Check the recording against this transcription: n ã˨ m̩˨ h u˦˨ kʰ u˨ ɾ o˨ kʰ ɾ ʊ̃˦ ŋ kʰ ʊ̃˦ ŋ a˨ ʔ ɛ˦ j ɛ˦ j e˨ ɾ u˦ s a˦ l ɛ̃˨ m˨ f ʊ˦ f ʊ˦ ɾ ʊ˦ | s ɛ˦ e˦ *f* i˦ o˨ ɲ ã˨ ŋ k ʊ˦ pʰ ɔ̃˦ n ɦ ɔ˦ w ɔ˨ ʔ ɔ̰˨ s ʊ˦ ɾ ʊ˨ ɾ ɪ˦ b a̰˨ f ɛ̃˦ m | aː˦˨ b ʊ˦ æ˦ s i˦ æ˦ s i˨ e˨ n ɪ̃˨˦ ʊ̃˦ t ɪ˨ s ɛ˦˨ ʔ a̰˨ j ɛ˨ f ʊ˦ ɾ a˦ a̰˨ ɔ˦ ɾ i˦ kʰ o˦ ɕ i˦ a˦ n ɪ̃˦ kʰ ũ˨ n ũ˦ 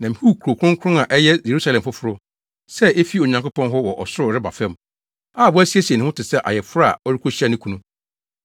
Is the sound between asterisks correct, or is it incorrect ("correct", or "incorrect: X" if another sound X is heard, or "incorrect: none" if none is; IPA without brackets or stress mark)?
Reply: correct